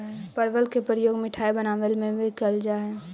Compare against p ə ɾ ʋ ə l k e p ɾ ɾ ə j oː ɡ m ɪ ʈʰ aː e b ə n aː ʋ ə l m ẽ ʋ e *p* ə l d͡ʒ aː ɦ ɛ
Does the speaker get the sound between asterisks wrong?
yes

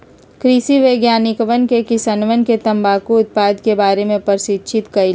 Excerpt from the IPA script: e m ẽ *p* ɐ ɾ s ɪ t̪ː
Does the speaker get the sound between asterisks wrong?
no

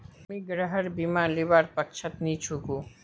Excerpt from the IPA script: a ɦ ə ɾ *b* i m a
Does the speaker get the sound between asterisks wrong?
no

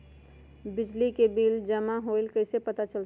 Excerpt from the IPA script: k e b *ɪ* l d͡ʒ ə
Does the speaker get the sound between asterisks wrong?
yes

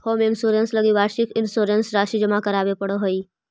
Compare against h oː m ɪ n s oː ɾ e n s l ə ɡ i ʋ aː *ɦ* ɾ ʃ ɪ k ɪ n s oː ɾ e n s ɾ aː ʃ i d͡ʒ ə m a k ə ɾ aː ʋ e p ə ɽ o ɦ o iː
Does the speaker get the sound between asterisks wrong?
yes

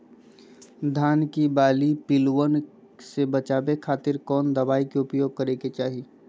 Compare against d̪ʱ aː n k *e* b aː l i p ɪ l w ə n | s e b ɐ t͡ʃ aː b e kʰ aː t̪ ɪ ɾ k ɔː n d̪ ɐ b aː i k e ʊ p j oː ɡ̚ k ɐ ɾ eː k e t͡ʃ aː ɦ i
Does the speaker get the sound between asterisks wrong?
yes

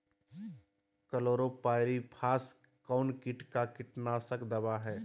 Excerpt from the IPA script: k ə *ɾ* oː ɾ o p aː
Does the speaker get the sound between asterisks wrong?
yes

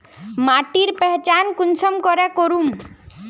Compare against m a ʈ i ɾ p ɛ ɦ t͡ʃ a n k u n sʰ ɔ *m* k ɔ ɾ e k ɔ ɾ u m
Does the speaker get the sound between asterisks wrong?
no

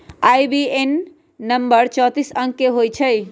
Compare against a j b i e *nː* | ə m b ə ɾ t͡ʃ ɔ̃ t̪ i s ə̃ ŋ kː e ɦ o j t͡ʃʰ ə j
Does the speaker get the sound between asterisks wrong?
no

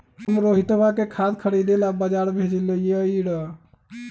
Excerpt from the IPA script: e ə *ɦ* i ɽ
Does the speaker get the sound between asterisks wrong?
yes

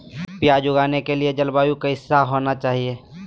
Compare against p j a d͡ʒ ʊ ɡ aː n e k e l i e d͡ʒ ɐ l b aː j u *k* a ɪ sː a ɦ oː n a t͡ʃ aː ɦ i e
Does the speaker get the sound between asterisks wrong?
no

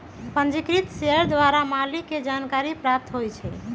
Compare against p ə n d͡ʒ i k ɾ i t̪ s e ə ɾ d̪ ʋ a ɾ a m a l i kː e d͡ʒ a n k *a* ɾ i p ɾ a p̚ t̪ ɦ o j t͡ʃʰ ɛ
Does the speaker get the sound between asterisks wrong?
no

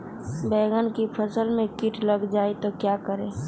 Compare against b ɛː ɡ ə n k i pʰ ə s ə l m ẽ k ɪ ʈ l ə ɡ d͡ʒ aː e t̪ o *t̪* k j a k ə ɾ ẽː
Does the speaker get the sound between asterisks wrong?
yes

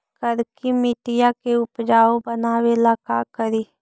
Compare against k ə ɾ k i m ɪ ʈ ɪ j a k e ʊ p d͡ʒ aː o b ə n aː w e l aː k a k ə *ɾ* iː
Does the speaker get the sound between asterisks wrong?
no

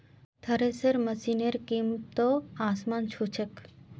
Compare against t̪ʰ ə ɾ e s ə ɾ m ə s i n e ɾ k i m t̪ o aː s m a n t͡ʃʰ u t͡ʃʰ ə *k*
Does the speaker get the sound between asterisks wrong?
no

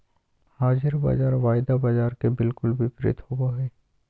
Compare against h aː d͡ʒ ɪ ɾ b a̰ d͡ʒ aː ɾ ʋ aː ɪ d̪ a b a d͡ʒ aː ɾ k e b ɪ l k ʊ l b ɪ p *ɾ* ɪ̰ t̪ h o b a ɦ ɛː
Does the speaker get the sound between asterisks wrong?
no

